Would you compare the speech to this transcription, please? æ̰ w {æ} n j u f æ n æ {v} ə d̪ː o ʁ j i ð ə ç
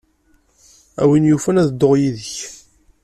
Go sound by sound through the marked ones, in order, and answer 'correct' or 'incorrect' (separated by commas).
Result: incorrect, incorrect